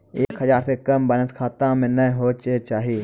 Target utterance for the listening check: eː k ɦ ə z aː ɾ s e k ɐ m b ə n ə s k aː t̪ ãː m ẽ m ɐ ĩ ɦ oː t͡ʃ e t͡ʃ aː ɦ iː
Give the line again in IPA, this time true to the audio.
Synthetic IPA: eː k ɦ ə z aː ɾ s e k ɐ m b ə n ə s kʰ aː t̪ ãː m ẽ n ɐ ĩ ɦ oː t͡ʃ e t͡ʃ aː ɦ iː